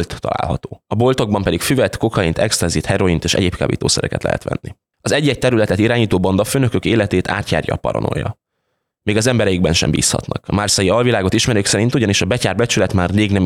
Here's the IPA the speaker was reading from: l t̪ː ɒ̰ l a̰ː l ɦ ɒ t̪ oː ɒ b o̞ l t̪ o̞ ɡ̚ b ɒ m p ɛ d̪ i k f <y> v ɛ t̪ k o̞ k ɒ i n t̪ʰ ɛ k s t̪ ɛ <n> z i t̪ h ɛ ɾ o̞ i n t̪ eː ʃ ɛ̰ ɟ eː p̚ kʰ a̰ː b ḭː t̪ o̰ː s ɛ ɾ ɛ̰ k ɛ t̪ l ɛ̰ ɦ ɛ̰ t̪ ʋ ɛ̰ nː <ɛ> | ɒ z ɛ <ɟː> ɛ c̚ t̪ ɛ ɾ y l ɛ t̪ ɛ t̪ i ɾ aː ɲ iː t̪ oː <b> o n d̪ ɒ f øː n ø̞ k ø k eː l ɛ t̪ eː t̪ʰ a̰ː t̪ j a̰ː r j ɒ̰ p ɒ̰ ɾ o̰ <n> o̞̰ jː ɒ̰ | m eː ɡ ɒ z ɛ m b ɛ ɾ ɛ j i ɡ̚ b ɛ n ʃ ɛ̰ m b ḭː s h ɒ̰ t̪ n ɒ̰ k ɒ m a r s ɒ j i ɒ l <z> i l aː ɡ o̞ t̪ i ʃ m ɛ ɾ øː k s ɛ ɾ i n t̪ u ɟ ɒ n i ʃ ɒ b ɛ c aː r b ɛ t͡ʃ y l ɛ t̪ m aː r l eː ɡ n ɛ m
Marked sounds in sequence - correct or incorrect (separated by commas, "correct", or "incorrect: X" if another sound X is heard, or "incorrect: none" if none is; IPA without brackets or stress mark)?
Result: correct, correct, incorrect: i, correct, correct, correct, incorrect: v